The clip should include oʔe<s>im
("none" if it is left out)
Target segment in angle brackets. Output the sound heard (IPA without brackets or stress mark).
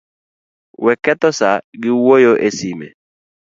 s